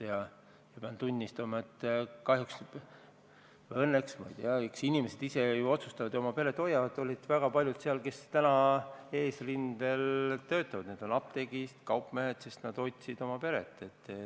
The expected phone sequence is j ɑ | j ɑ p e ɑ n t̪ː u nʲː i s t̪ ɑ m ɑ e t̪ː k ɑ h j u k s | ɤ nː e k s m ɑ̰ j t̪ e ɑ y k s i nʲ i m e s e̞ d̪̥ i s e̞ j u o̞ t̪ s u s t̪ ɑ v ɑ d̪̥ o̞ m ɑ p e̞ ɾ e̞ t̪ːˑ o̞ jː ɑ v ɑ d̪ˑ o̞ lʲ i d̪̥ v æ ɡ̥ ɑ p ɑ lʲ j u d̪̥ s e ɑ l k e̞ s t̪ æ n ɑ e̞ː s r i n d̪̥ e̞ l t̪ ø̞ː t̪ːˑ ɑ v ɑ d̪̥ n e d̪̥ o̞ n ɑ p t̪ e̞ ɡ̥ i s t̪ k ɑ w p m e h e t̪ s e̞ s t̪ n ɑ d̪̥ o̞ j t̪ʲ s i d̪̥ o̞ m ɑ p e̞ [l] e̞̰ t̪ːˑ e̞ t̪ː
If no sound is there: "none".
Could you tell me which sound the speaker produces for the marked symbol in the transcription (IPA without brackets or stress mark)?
ɾ